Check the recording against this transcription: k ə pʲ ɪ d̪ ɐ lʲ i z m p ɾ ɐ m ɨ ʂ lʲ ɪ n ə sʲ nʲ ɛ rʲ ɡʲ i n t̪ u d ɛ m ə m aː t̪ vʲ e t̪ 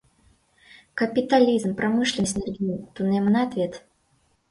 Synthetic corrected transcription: k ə pʲ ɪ t̪ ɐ lʲ i z m p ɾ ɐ m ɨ ʂ lʲ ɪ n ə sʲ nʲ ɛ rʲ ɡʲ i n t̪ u n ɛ m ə n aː t̪ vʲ e t̪